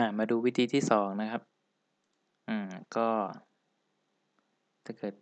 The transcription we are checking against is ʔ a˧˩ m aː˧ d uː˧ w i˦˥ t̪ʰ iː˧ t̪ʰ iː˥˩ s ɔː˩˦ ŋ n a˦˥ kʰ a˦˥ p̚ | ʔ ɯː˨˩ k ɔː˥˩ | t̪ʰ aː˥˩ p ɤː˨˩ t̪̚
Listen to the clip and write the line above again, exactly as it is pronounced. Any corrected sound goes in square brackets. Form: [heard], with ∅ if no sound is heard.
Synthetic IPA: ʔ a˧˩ m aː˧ d uː˧ w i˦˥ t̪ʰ iː˧ t̪ʰ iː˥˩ s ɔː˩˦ ŋ n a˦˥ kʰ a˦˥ p̚ | ʔ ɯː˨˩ k ɔː˥˩ | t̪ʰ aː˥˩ [k] ɤː˨˩ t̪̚